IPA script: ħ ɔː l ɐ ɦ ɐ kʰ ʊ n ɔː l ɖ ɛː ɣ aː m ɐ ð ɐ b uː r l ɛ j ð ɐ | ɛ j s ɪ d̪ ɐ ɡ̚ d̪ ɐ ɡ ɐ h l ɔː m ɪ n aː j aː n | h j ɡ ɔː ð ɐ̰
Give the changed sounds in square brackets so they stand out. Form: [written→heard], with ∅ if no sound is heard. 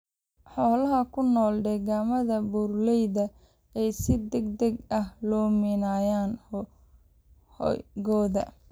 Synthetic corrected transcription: ħ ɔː l ɐ ɦ ɐ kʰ ʊ n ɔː l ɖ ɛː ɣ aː m ɐ ð ɐ b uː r l ɛ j ð ɐ | ɛ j s ɪ d̪ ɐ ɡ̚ d̪ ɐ ɡ ɐ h l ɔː m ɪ n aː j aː n | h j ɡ ɔː ð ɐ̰